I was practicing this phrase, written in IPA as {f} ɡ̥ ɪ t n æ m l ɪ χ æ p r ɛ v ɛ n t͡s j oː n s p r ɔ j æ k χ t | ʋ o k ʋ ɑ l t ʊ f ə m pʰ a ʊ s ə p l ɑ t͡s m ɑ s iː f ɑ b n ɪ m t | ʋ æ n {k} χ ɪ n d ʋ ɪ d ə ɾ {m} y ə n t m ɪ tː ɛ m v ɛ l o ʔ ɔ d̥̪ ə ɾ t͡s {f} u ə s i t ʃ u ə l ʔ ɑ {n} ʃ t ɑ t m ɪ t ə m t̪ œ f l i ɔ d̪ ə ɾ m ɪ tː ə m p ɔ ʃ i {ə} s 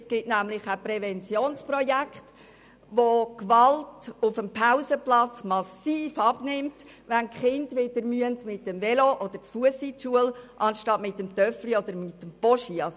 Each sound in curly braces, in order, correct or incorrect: incorrect: s, correct, correct, correct, correct, incorrect: ɑ

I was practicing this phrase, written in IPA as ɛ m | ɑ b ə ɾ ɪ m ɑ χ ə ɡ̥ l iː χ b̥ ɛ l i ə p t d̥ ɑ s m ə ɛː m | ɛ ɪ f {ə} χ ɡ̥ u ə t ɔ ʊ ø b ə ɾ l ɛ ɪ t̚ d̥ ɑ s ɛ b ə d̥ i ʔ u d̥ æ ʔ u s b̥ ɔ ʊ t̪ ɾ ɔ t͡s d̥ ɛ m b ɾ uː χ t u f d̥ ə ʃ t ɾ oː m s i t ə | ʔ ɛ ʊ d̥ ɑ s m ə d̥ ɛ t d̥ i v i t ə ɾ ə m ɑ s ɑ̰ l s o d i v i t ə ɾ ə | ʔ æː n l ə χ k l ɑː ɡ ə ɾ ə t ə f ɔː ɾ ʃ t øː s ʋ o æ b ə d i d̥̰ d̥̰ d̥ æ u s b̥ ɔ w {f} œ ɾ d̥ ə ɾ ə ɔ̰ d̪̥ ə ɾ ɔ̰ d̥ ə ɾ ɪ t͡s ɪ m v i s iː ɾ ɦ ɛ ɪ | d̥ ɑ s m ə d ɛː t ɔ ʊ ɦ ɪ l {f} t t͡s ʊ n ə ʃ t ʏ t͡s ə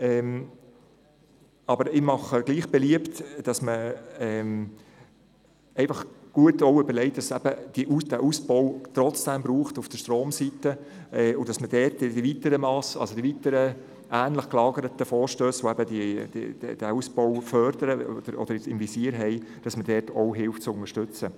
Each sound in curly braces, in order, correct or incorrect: incorrect: ɑ, correct, correct

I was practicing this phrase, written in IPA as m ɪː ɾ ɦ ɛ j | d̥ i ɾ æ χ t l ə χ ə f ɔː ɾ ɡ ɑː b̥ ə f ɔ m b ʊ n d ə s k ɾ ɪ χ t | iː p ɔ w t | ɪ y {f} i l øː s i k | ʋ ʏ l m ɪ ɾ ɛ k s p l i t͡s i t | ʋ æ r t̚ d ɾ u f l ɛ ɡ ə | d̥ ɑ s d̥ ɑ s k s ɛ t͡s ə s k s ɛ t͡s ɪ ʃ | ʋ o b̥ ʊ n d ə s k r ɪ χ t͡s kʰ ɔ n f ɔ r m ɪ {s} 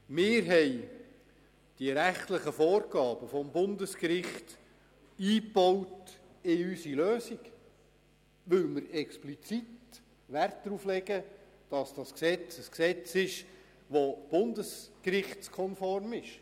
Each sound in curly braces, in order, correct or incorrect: incorrect: s, incorrect: ʃ

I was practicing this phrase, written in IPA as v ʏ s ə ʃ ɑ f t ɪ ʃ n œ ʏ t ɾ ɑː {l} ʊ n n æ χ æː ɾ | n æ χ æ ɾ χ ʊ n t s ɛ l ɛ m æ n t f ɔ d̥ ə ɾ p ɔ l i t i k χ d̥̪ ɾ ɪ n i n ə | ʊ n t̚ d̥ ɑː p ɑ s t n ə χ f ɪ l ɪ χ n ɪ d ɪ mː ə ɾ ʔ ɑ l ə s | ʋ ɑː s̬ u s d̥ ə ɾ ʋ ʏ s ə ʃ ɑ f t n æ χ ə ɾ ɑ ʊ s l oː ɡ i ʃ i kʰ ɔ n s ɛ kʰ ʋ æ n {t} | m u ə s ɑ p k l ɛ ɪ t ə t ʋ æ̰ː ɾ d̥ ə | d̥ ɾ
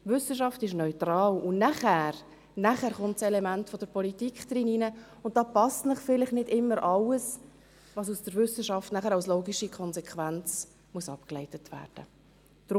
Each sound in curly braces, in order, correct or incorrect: correct, incorrect: t͡s

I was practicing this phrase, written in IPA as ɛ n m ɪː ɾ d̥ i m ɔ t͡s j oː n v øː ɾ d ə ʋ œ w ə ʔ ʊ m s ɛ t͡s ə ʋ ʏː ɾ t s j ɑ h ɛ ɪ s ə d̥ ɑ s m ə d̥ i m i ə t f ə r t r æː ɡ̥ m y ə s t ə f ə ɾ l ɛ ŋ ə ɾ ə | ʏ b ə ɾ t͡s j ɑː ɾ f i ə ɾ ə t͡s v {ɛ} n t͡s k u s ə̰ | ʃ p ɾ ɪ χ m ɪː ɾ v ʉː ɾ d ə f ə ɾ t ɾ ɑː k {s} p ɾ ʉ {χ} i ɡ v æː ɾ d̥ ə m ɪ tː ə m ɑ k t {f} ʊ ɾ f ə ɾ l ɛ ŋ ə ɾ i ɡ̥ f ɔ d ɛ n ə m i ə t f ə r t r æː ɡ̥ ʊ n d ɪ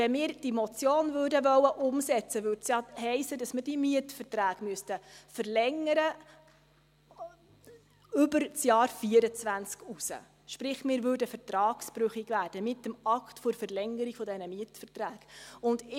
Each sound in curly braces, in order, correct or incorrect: incorrect: æ, correct, correct, correct

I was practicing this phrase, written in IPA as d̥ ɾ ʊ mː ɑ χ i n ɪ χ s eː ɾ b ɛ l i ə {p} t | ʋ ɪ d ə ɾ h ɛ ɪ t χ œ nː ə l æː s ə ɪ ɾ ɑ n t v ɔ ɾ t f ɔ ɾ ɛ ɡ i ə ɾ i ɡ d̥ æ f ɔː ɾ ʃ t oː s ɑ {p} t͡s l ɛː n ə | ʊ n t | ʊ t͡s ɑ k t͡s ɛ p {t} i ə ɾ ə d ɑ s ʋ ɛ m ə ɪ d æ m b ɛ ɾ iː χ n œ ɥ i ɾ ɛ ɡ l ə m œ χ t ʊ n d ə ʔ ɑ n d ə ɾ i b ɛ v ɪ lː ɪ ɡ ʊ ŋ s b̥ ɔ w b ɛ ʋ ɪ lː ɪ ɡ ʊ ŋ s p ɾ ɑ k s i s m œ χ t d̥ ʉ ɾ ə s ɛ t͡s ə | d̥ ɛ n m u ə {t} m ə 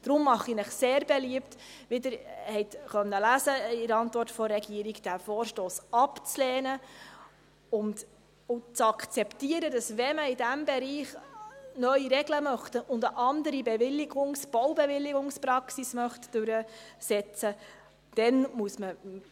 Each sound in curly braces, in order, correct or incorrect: correct, correct, correct, incorrect: s

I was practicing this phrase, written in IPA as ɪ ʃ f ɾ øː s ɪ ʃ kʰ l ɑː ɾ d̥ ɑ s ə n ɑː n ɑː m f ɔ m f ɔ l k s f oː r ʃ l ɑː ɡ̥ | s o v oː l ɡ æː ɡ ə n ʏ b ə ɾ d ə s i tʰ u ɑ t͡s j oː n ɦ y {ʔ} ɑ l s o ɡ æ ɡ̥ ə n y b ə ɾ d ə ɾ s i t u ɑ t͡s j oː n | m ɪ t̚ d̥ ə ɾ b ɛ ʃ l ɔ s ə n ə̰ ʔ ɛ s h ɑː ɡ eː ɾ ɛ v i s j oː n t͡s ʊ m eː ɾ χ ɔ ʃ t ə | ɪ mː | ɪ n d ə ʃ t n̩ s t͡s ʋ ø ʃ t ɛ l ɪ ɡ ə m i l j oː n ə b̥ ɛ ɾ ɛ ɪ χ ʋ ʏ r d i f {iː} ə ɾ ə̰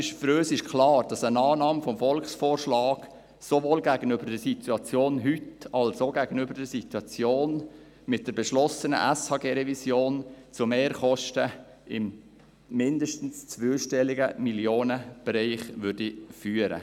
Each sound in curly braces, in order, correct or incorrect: incorrect: t, incorrect: yː

